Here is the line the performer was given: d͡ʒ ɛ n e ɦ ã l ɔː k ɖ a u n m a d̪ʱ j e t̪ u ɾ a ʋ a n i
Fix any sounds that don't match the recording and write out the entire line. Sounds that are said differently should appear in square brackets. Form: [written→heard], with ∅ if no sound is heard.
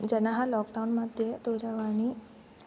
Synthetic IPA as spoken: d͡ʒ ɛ n [e→a] ɦ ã l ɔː k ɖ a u n m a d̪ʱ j e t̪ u ɾ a ʋ a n i

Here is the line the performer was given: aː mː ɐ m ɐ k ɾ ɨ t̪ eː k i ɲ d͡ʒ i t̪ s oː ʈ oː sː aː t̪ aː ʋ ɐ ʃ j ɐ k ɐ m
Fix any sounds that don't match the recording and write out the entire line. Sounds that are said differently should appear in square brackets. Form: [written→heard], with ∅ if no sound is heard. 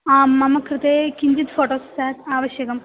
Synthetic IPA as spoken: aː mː ɐ m ɐ k ɾ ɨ t̪ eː k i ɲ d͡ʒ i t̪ [s→f] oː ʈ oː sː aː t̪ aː ʋ ɐ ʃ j ɐ k ɐ m

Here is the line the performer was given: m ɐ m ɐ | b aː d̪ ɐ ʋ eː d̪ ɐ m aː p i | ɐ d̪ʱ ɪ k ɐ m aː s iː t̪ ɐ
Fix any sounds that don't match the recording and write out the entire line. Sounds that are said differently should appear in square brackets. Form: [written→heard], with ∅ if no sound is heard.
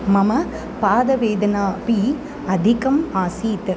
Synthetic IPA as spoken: m ɐ m ɐ | [b→p] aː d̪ ɐ ʋ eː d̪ ɐ [m→n] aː p i | ɐ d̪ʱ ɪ k ɐ m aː s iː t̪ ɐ

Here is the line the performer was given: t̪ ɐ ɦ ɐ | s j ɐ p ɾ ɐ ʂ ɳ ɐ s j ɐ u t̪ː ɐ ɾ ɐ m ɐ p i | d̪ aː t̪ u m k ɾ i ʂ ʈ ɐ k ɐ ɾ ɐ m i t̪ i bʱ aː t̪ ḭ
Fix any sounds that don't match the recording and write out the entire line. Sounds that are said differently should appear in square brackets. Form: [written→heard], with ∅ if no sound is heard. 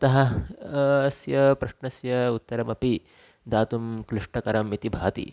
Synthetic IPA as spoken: t̪ ɐ ɦ ɐ | s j ɐ p ɾ ɐ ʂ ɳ ɐ s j ɐ u t̪ː ɐ ɾ ɐ m ɐ p i | d̪ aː t̪ u m k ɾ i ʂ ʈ ɐ k ɐ ɾ ɐ m i t̪ i bʱ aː t̪ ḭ

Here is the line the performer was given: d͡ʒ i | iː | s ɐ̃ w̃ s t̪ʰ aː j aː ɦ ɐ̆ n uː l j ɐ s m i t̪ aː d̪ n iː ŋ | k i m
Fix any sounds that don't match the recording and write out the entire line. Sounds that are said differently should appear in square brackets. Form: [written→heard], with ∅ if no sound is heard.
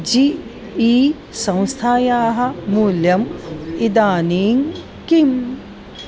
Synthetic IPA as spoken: d͡ʒ i | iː | s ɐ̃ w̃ s t̪ʰ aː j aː ɦ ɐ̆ [n→m] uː l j ɐ [s→∅] m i [t̪→d̪] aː [d̪→∅] n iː ŋ | k i m

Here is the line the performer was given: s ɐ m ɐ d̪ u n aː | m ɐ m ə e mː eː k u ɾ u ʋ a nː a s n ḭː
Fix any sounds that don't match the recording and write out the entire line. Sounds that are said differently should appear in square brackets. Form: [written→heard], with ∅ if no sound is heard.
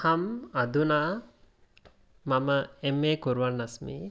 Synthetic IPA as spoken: [s→h] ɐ m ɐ d̪ u n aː | m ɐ m ə e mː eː k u ɾ u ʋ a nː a s [n→m] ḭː

